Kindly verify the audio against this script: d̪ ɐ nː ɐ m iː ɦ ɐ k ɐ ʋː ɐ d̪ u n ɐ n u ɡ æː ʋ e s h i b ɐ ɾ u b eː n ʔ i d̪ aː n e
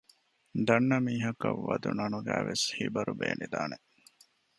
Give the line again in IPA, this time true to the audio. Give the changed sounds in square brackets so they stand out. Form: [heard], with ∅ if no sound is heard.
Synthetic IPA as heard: d̪ ɐ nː ɐ m iː ɦ ɐ k ɐ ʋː ɐ d̪ u n ɐ n u ɡ æː ʋ e s h i b ɐ ɾ u b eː n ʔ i d̪ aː n e